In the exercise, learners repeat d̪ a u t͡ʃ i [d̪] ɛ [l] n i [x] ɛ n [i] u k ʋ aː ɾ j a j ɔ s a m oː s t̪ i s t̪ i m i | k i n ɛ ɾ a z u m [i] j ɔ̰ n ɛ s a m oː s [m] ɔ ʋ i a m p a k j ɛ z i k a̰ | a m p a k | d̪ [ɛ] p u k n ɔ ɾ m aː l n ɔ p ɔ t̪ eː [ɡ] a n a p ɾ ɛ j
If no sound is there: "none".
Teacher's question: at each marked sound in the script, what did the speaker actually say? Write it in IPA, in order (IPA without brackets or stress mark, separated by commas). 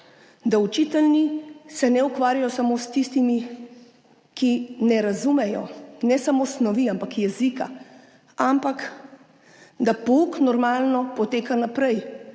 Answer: t̪, l, s, ɛ, ɛ, n, a, k